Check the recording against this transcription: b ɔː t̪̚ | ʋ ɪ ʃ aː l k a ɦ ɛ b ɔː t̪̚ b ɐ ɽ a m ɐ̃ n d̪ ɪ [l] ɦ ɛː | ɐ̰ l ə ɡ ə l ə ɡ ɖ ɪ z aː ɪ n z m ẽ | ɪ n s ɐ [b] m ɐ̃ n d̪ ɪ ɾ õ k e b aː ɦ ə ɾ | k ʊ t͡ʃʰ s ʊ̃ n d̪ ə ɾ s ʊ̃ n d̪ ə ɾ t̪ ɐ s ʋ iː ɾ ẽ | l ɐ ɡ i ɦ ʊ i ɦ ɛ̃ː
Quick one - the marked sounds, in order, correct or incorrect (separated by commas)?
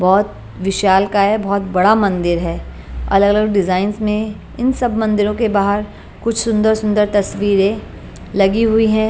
incorrect, correct